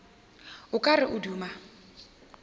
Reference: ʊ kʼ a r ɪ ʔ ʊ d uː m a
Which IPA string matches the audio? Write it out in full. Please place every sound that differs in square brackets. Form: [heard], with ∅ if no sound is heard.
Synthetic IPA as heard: ʊ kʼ a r ɪ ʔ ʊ d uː m a